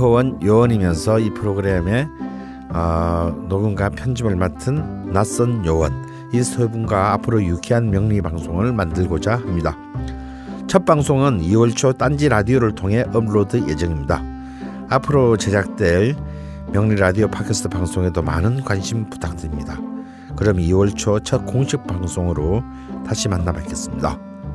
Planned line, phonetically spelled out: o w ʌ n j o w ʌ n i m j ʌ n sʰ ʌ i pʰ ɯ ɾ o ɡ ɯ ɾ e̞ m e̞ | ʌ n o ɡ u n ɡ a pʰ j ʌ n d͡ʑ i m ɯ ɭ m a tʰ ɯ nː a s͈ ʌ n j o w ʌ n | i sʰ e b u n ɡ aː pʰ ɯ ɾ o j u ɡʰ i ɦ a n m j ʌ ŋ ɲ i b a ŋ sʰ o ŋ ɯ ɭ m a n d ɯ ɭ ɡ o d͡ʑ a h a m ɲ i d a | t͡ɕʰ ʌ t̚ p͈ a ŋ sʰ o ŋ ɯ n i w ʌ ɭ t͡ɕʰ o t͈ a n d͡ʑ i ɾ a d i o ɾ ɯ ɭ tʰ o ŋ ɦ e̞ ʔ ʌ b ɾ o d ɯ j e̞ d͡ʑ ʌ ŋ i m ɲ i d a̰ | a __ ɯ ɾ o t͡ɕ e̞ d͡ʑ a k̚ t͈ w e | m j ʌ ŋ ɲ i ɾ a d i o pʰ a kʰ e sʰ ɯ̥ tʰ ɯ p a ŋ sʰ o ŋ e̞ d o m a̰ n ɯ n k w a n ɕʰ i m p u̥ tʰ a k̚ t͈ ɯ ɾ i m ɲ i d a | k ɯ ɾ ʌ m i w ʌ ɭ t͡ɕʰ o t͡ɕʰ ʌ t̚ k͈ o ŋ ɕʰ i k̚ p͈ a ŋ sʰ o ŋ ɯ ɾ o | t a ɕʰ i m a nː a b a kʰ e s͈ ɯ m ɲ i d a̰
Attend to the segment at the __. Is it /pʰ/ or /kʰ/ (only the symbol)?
pʰ